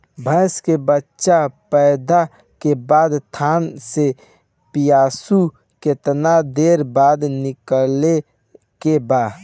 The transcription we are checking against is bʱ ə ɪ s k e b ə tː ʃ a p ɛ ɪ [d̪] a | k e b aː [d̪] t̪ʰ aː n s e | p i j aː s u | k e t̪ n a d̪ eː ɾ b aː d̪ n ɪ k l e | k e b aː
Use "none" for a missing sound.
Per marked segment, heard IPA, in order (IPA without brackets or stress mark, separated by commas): d̪, d̪